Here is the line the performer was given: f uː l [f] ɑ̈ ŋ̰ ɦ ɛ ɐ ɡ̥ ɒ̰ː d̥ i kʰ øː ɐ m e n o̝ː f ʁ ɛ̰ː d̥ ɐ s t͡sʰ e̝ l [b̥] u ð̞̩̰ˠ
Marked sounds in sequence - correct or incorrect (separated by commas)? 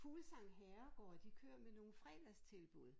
incorrect, correct